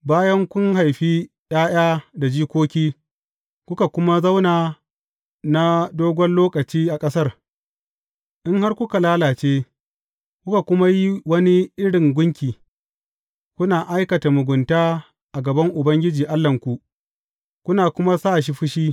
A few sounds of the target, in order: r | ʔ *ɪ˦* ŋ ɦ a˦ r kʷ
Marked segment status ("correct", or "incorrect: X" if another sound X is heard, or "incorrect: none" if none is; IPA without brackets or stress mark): correct